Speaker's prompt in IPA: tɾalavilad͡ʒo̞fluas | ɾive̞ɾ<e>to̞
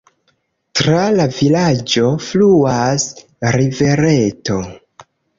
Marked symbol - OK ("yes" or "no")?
yes